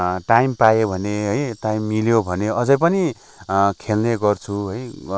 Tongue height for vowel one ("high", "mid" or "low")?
low